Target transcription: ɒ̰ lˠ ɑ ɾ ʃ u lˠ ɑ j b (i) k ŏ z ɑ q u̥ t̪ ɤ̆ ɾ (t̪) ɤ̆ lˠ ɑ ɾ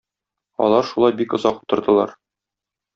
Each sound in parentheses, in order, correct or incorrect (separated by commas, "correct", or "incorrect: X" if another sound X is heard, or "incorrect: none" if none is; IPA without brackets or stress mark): correct, incorrect: d̪